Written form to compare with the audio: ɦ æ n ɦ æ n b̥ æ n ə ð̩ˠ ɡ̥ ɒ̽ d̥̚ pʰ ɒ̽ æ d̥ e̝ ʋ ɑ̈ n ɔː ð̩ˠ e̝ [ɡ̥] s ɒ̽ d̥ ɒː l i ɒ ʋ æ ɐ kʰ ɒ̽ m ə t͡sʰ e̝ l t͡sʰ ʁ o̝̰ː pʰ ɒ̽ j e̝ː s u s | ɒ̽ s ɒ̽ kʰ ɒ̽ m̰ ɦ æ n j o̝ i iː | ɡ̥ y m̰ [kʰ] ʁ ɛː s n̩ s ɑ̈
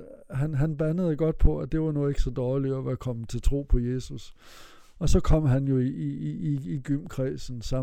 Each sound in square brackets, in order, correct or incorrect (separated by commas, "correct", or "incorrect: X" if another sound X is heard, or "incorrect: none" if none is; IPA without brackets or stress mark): correct, correct